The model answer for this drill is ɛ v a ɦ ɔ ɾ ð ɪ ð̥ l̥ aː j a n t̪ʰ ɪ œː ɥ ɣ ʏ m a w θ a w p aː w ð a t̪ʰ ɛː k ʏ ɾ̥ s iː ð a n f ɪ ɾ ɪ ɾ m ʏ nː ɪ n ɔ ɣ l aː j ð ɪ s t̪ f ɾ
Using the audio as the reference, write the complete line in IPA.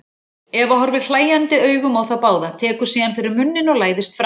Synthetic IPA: ɛ v a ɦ ɔ ɾ v ɪ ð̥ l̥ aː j a n t̪ ɪ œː ɥ ɣ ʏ m a w θ a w p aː w ð a t̪ʰ ɛː k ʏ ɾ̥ s iː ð a n f ɪ ɾ ɪ ɾ m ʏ nː ɪ n ɔ ɣ l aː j ð ɪ s t̪ f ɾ